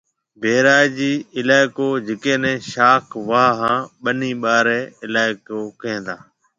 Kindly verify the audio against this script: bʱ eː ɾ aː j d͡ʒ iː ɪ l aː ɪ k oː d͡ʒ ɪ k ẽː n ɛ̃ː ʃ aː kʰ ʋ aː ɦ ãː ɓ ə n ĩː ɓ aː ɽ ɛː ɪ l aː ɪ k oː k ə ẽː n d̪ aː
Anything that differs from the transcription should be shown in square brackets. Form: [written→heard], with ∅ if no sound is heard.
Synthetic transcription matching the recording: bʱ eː ɾ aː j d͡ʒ iː ɪ l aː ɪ k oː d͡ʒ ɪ k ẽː n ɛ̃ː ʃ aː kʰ ʋ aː ɦ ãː ɓ ə n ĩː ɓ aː [ɽ→ɾ] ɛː ɪ l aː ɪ k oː k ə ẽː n d̪ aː